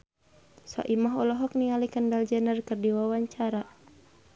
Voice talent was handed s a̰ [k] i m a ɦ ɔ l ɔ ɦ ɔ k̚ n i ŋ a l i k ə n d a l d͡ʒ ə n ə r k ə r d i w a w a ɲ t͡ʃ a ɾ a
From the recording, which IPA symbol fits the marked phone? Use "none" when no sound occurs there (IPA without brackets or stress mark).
ʔ